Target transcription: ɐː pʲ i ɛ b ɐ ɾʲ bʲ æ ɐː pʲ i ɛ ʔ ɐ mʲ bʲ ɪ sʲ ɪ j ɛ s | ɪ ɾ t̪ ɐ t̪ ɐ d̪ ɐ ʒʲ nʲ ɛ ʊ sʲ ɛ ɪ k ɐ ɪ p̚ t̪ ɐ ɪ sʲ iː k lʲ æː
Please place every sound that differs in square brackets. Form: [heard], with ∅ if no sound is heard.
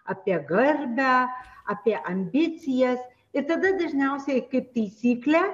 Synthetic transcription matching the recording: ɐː pʲ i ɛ [ɡ] ɐ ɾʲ bʲ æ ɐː pʲ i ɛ ʔ ɐ mʲ bʲ ɪ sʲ ɪ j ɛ s | ɪ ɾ t̪ ɐ [d̪] ɐ d̪ ɐ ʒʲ nʲ ɛ ʊ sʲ ɛ ɪ k ɐ ɪ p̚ t̪ ɐ ɪ sʲ iː k lʲ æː